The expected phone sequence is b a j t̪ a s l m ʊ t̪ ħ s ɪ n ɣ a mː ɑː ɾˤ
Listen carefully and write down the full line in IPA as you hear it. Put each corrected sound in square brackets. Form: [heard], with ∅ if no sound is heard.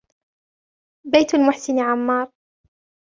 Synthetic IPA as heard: b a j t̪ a [∅] l m ʊ [∅] ħ s ɪ n [ʕ] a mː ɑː ɾˤ

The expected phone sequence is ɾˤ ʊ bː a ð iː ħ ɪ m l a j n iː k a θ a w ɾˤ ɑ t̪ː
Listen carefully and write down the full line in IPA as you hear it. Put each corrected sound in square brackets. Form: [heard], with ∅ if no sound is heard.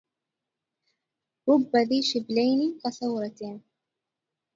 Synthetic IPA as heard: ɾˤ ʊ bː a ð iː [ʃ] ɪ [b] l a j n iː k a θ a w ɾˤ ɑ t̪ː

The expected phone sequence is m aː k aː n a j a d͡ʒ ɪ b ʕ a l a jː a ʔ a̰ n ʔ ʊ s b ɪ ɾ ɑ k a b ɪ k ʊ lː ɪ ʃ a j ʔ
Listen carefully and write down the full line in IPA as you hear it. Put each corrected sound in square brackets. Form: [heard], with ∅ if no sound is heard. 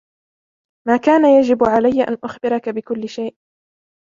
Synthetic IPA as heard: m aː k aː n a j a d͡ʒ ɪ b ʕ a l a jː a ʔ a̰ n ʔ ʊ [x] b ɪ ɾ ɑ k a b ɪ k ʊ lː ɪ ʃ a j ʔ

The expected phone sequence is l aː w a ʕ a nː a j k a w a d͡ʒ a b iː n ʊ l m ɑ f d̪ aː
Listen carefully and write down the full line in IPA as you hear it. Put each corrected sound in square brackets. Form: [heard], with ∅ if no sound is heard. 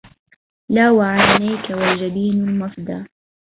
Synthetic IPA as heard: l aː w a ʕ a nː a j k a w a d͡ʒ a b iː n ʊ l m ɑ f d̪ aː

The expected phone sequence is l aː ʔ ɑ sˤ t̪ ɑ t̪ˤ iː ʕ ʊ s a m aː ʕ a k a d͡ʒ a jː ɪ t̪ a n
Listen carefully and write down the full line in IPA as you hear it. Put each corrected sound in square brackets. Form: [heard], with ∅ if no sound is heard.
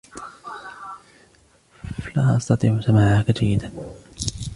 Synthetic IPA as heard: l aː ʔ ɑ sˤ t̪ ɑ t̪ˤ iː ʕ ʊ s a m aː ʕ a k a d͡ʒ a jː ɪ [d̪] a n

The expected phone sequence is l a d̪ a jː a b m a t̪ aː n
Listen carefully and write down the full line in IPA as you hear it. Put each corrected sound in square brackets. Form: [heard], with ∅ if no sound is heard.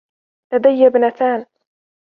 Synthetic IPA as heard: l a d̪ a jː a b [n] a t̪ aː n

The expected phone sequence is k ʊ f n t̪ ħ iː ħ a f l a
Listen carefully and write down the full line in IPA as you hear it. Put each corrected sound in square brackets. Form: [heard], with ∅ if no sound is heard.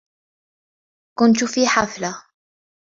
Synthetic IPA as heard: k ʊ [∅] n t̪ [f] iː ħ a f l a

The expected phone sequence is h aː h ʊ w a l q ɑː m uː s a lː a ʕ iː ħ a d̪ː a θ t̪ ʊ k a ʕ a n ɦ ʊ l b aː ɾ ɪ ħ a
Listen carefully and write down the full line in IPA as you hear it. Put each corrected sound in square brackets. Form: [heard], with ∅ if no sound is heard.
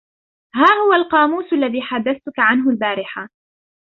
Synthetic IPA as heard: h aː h ʊ w a l q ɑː m uː s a lː a [ð] iː ħ a d̪ː a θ t̪ ʊ k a ʕ a n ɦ ʊ l b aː ɾ ɪ ħ a

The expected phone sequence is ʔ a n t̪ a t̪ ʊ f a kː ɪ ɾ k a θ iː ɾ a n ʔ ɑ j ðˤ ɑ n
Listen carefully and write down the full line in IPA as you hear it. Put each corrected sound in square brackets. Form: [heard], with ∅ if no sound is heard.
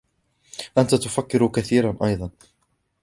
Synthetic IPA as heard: ʔ a n t̪ a t̪ ʊ f a kː ɪ ɾ k a θ iː ɾ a n ʔ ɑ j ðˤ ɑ n

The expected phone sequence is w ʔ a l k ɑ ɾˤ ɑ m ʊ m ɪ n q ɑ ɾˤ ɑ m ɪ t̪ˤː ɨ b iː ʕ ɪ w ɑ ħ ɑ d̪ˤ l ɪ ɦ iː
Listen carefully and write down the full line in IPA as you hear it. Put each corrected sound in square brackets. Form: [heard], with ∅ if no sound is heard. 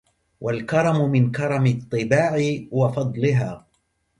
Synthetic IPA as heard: w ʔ a l k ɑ ɾˤ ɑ m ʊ m ɪ n [k] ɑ ɾˤ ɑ m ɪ t̪ˤː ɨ b [aː] ʕ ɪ w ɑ [f] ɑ d̪ˤ l ɪ ɦ [aː]

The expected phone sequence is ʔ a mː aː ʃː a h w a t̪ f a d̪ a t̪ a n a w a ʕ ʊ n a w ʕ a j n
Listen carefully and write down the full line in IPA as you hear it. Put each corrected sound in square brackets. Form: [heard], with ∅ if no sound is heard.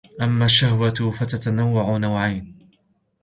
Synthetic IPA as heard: ʔ a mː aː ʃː a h w a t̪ f a [t̪] a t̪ a n a [wː] a ʕ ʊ n a w ʕ a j n

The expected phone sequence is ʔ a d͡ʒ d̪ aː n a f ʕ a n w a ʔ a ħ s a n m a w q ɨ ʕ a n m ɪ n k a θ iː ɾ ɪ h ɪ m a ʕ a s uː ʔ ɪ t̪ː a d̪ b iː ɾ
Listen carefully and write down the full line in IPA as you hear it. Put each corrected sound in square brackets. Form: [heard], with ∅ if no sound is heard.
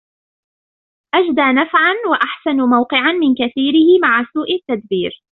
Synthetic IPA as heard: ʔ a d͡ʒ d̪ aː n a f ʕ a n w a ʔ a ħ s a n m a w q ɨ ʕ a n m ɪ n k a θ iː ɾ ɪ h ɪ m a ʕ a s uː ʔ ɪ t̪ː a d̪ b iː ɾ

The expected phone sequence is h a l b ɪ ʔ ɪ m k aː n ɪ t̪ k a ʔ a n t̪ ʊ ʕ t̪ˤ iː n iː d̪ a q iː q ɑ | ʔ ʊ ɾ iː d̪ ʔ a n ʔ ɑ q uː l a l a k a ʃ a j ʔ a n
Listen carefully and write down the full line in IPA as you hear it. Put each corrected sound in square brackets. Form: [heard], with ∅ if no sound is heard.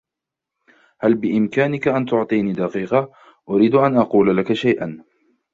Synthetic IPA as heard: h a l b ɪ ʔ ɪ m k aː n ɪ [∅] k a ʔ a n t̪ ʊ ʕ t̪ˤ iː n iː d̪ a q iː q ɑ | ʔ ʊ ɾ iː d̪ ʔ a n ʔ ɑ q uː l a l a k a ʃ a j ʔ a n

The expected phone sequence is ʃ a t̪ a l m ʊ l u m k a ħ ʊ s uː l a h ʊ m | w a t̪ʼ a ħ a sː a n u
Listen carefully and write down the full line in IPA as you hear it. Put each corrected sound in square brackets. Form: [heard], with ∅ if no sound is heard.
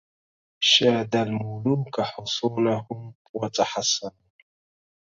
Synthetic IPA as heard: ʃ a [d̪] a l m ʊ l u m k a ħ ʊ s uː l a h ʊ m | w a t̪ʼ a ħ a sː a n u

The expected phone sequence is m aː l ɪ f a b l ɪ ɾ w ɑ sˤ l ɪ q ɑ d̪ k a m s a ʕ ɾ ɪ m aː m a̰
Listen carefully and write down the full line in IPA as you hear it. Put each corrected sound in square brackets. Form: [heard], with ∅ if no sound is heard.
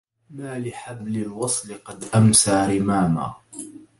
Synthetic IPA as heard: m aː l ɪ [ħ] a b l ɪ [l] w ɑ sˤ l ɪ q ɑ d̪ [ʔ] a m s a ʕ ɾ ɪ m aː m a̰

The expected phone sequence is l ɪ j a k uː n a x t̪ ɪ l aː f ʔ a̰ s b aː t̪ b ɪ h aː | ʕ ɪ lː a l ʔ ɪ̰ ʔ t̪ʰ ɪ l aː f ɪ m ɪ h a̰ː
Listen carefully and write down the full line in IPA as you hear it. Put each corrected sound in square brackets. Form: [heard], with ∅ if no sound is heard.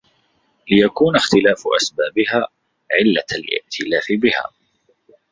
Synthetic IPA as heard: l ɪ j a k uː n a x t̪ ɪ l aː f ʔ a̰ s b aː [∅] b ɪ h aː | ʕ ɪ lː a l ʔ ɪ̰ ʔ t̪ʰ ɪ l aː f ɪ [b] ɪ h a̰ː

